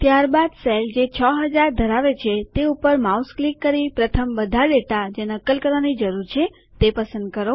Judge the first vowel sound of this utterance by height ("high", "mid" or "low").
low